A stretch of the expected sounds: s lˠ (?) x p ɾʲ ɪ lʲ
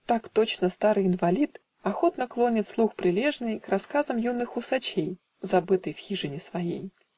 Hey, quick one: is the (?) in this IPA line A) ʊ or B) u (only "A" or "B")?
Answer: B